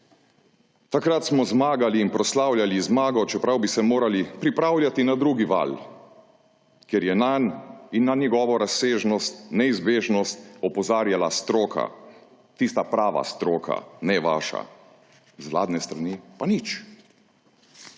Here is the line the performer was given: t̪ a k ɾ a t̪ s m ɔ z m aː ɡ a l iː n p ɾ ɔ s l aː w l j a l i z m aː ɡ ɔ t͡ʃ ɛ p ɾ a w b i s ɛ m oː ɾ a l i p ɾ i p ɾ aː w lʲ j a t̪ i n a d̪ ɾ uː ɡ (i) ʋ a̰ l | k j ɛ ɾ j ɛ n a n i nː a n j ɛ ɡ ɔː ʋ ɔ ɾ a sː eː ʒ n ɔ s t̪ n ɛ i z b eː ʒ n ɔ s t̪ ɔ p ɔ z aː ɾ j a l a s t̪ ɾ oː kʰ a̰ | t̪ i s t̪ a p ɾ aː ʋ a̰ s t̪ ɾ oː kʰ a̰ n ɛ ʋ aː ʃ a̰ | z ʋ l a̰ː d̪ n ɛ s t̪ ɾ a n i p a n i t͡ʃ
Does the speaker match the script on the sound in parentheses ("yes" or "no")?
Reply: yes